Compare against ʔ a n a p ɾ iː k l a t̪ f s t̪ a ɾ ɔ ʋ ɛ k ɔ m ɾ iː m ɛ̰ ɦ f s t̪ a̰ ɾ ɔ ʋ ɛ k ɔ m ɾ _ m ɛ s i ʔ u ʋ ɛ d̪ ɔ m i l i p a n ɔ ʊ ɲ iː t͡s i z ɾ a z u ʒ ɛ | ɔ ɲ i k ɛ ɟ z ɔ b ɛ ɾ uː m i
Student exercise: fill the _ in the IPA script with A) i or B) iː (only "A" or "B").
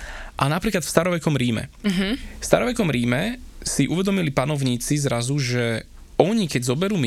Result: B